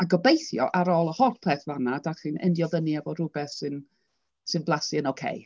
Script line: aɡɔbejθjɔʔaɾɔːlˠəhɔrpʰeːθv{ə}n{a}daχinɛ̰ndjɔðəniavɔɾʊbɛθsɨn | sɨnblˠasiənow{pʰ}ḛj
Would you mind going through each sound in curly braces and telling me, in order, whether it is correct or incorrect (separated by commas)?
incorrect, correct, incorrect